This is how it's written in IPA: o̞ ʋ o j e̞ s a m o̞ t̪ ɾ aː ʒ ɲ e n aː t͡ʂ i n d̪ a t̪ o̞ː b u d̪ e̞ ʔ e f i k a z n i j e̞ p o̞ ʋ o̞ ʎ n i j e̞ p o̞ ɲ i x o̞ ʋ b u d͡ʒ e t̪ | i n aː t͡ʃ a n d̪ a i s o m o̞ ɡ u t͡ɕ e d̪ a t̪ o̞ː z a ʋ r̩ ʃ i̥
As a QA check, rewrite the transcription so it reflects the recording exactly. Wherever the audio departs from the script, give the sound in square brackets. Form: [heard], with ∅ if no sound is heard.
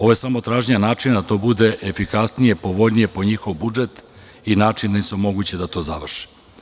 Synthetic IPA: o̞ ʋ o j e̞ s a m o̞ t̪ ɾ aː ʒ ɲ [a] n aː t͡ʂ i n d̪ a t̪ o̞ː b u d̪ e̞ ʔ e f i k a [s] n i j e̞ p o̞ ʋ o̞ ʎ n i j e̞ p o̞ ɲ i x o̞ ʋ b u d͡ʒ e t̪ | i n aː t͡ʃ [i] n d̪ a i s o m o̞ ɡ u t͡ɕ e d̪ a t̪ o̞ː z a ʋ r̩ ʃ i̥